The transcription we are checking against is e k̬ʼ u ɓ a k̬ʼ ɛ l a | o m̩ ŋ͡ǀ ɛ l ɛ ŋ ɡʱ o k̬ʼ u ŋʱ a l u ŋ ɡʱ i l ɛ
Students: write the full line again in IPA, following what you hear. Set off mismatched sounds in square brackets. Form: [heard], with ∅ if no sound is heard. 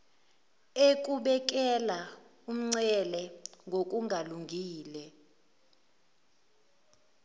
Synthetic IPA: e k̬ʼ u ɓ [ɛ] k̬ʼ ɛ l a | [u] m̩ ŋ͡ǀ ɛ l ɛ ŋ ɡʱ o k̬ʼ u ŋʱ a l u ŋ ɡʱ [iː] l ɛ